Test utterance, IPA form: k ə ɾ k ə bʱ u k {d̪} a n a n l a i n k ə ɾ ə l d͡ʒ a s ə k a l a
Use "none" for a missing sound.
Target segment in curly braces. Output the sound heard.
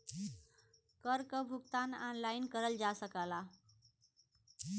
t̪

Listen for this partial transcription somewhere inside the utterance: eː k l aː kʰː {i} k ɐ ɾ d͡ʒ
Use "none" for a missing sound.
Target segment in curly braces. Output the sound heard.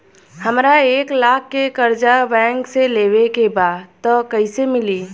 e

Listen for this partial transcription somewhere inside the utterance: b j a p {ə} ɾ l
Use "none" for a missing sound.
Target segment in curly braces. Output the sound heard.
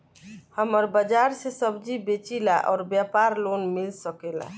a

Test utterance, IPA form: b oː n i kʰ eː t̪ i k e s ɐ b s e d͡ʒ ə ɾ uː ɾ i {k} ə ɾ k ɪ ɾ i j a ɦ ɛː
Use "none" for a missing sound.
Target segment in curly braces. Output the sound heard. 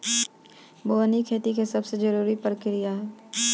p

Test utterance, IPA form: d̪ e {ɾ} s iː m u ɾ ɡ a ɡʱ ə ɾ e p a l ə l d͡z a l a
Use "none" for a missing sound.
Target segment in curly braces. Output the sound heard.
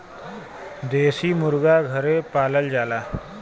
none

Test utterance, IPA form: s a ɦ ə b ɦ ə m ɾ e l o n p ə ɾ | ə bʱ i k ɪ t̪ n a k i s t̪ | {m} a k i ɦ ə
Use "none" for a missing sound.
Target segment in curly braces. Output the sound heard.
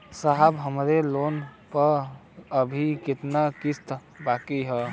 b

